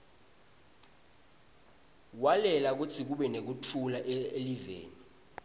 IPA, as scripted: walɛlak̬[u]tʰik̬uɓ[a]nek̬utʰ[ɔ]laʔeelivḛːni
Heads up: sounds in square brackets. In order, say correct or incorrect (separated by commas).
correct, incorrect, incorrect